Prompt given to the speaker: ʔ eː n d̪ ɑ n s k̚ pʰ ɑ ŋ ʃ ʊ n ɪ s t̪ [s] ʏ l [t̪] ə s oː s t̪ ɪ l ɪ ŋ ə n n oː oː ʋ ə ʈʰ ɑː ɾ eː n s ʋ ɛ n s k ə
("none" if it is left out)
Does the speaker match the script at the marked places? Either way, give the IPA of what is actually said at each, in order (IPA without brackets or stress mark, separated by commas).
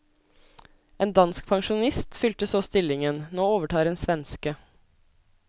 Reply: f, t̪